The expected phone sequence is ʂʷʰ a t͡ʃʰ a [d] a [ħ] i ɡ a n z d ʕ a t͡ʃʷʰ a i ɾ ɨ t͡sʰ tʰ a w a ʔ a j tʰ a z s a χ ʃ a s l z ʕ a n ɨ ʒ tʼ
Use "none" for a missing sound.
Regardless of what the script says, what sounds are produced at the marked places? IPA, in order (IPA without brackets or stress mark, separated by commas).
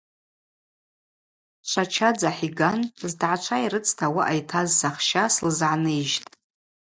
d͡z, ħ